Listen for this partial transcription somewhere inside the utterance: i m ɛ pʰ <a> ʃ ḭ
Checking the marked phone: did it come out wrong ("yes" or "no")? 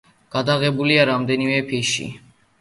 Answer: yes